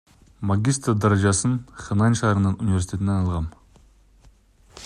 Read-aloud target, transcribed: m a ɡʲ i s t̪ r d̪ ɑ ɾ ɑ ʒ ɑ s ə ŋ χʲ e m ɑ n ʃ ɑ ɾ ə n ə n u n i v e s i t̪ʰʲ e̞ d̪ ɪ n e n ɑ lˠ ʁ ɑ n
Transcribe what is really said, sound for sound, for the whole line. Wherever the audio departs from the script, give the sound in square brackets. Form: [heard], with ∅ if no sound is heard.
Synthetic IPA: m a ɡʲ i s t̪ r d̪ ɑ ɾ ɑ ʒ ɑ s ə [n] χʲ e [n] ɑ n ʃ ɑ ɾ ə n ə n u n i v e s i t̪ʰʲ e̞ [t̪] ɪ n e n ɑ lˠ ʁ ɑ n